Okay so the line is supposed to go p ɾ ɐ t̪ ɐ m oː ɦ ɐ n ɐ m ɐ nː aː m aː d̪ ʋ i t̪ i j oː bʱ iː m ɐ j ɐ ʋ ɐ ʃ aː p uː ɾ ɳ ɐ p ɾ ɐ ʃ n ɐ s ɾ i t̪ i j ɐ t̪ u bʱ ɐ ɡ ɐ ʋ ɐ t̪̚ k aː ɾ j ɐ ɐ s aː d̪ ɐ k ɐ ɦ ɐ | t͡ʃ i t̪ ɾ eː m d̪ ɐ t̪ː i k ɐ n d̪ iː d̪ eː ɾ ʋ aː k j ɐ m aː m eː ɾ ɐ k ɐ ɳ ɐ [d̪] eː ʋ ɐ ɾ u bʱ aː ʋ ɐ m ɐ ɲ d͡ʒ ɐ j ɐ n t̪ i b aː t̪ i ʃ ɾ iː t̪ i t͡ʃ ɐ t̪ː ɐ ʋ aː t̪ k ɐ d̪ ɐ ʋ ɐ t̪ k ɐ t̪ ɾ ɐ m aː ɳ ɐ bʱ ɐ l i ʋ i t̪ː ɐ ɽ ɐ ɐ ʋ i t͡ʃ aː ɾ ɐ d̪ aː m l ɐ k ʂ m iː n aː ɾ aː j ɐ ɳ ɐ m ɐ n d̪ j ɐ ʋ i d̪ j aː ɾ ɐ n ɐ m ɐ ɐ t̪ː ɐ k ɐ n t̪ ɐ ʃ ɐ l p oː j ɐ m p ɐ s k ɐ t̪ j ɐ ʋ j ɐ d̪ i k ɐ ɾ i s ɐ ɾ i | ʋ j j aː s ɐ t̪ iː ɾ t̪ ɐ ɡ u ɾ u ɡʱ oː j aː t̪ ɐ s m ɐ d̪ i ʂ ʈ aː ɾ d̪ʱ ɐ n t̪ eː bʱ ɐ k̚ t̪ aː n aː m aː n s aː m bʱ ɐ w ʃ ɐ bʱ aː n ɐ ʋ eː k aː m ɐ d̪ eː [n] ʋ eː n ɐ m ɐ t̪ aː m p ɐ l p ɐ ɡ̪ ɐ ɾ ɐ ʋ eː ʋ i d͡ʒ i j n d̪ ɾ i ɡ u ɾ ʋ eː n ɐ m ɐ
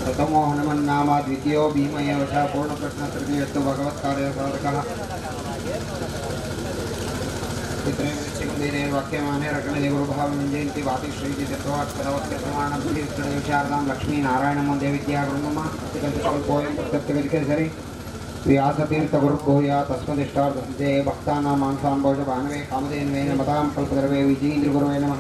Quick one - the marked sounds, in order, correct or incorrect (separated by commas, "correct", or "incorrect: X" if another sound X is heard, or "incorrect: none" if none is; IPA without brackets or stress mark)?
correct, correct